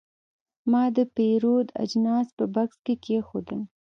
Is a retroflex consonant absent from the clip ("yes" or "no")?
yes